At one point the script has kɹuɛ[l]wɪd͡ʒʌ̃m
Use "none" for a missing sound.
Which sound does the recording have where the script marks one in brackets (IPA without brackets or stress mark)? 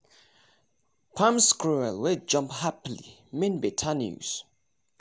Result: l